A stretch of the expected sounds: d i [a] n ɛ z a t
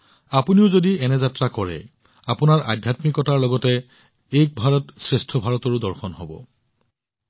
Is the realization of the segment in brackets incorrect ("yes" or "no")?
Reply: yes